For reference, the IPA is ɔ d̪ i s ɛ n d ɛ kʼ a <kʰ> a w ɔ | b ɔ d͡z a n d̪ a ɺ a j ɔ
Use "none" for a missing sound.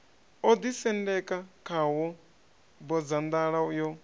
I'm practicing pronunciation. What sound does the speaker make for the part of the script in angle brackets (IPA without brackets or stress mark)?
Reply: kʰ